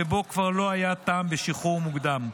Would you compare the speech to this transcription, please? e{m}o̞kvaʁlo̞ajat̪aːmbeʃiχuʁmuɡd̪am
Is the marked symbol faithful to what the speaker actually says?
no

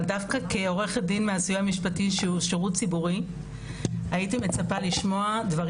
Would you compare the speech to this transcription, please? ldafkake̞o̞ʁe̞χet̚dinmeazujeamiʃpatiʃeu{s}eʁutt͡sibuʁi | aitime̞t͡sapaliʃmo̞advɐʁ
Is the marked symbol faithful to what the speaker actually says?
no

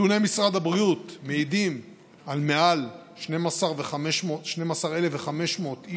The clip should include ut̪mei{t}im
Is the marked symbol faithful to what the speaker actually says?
no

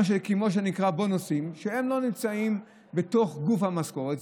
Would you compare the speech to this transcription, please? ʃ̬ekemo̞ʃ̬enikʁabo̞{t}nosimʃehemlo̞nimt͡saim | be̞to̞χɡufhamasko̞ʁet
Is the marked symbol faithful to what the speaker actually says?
no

